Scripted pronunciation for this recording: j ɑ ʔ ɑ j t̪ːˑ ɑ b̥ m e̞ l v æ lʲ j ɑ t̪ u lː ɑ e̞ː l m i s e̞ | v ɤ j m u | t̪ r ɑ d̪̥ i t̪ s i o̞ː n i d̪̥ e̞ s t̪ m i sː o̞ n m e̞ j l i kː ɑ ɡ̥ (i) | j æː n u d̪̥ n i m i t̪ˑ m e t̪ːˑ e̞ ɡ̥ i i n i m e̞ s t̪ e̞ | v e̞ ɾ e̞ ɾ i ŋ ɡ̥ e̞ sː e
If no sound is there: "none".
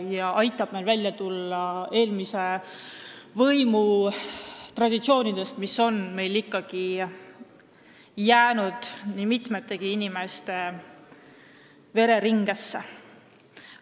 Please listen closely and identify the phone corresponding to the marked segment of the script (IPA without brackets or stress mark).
i